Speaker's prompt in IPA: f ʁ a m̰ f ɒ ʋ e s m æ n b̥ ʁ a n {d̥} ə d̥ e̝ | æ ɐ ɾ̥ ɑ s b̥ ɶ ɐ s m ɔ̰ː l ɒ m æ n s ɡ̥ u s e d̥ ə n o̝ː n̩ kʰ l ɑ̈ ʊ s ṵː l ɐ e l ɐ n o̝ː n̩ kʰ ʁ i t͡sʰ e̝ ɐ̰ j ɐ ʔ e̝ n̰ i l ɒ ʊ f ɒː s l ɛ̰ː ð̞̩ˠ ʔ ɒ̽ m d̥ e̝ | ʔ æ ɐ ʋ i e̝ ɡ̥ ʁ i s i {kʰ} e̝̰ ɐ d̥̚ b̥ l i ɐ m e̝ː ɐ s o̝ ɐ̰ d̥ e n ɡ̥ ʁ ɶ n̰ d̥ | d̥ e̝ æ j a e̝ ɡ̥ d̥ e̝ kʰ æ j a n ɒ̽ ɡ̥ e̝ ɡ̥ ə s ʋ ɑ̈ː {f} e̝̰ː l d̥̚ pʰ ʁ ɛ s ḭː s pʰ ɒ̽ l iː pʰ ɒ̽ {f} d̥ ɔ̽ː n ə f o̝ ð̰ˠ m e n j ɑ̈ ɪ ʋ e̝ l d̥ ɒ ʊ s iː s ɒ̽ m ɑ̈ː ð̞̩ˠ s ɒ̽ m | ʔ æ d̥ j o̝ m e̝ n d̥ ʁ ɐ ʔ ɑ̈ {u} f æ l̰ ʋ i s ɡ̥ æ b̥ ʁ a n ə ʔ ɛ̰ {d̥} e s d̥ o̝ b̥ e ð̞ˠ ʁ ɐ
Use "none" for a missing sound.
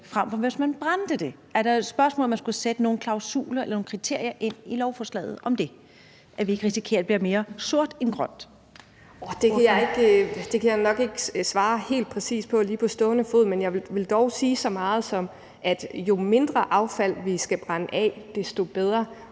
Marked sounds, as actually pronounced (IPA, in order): d̥, kʰ, h, s, ʊ, d̥

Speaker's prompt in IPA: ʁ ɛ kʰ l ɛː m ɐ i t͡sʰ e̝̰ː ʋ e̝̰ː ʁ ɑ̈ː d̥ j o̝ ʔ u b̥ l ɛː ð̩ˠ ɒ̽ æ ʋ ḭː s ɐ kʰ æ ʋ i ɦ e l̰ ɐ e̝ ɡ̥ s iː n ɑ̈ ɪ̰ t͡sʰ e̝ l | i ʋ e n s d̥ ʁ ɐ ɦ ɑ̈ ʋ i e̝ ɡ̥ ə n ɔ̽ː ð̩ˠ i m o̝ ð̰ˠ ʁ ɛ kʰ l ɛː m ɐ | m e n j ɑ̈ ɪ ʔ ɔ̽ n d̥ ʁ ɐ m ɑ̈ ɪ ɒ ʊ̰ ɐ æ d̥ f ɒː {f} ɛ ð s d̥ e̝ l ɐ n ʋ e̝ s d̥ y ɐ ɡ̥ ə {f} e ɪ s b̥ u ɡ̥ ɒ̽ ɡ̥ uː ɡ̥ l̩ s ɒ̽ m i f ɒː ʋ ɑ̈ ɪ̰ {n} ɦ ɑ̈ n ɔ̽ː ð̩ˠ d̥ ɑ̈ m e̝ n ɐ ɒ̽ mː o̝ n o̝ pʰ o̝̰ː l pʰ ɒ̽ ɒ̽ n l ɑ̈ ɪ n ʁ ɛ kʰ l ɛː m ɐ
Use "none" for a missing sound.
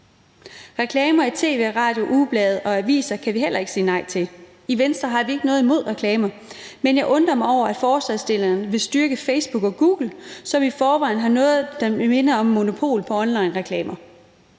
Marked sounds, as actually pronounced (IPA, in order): s, f, n

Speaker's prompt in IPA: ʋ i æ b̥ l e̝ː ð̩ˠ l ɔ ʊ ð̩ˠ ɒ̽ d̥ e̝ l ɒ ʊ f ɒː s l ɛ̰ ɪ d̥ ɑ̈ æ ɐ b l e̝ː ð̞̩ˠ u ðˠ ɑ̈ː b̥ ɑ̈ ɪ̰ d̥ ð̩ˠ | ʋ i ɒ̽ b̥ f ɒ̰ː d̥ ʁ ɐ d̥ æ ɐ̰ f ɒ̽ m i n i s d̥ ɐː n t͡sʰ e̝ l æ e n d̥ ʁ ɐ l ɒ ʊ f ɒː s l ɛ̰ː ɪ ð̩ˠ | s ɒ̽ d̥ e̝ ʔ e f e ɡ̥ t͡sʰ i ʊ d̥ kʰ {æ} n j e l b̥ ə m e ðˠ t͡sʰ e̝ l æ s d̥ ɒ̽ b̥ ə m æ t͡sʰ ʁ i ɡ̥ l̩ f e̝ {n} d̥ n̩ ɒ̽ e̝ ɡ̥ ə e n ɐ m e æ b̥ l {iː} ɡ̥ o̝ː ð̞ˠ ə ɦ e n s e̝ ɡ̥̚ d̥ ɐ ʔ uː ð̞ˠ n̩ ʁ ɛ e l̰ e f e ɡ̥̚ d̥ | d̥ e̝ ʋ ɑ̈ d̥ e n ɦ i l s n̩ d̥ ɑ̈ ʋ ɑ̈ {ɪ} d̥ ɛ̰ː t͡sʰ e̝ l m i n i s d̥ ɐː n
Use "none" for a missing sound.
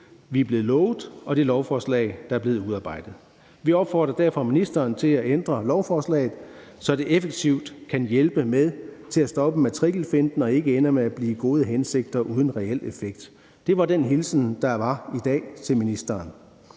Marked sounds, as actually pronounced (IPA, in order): æ, n, iː, i

